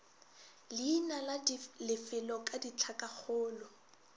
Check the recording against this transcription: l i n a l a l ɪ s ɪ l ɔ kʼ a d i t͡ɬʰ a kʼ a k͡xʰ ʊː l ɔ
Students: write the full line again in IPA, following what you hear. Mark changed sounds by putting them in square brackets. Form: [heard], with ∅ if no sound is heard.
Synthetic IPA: l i n a l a l ɪ [f] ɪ l ɔ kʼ a d i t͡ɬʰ a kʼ a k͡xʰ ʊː l ɔ